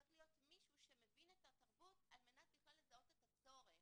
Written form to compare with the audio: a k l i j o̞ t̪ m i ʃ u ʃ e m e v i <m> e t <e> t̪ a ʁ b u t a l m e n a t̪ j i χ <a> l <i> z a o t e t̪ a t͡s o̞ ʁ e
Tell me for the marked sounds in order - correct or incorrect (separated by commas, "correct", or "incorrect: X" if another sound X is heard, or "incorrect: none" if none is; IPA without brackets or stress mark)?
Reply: incorrect: n, incorrect: a, correct, incorrect: e